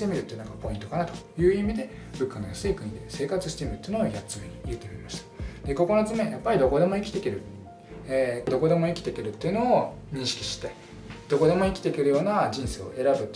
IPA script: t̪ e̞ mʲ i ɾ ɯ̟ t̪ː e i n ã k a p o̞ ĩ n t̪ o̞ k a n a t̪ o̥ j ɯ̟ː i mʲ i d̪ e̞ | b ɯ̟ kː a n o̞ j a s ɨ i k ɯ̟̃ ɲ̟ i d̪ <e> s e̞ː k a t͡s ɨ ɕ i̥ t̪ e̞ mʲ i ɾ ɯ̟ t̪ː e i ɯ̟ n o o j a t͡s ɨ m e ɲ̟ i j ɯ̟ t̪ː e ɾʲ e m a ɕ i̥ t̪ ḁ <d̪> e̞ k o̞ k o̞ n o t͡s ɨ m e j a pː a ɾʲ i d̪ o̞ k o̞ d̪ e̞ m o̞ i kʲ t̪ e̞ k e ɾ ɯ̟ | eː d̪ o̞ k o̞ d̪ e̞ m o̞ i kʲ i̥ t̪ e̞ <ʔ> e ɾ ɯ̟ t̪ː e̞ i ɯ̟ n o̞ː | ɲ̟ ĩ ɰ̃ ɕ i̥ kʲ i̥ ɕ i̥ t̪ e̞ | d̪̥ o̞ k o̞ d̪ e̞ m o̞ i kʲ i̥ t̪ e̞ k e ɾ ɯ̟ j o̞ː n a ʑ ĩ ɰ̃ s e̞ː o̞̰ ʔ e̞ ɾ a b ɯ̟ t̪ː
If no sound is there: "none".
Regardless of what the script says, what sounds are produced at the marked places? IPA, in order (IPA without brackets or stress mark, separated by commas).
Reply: e, d̪, k